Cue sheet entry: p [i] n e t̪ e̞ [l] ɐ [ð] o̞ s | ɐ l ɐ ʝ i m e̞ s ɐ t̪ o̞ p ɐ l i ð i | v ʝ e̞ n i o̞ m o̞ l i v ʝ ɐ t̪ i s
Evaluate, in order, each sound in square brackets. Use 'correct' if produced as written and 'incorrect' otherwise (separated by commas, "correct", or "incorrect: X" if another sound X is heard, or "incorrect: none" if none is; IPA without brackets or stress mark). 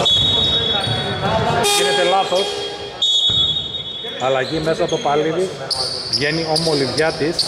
correct, correct, incorrect: θ